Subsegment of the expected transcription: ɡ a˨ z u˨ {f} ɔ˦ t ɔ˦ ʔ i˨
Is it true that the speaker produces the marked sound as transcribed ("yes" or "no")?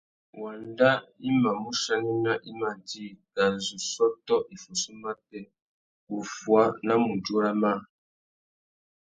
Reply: no